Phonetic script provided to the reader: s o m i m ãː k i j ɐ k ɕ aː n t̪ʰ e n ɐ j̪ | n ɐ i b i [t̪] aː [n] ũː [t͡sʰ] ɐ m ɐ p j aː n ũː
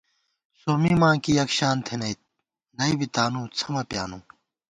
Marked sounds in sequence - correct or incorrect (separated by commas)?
correct, correct, correct